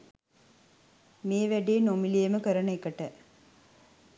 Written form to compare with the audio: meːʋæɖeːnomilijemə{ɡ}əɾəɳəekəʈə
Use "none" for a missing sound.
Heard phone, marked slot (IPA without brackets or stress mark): k